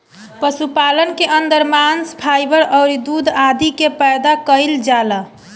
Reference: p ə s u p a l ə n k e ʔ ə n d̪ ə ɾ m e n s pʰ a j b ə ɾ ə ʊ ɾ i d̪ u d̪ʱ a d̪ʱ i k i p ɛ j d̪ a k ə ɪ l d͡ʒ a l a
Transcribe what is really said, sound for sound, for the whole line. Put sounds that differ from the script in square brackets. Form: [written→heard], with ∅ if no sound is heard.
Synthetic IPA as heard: p ə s u p a l ə n k e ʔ ə n d̪ ə ɾ m [e→a] n s pʰ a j b ə ɾ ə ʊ ɾ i d̪ u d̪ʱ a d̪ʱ i k [i→e] p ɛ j d̪ a k ə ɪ l d͡ʒ a l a